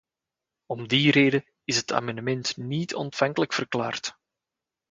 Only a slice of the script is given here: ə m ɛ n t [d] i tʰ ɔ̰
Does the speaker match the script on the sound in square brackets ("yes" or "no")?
no